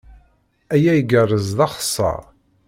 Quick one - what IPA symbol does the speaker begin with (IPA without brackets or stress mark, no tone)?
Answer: æ